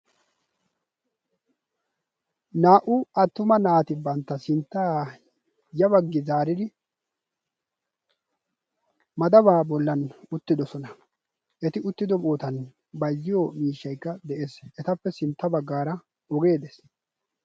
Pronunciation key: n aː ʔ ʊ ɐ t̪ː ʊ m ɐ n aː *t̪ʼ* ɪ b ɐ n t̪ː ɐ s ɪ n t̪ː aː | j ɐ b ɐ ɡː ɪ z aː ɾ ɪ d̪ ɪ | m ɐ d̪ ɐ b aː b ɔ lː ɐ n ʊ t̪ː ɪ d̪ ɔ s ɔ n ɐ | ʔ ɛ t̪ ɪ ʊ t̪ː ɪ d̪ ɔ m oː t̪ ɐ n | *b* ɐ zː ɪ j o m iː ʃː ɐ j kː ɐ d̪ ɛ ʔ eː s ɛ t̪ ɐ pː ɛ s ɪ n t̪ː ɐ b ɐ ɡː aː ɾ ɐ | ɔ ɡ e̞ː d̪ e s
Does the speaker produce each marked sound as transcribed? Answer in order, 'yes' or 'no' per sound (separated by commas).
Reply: no, yes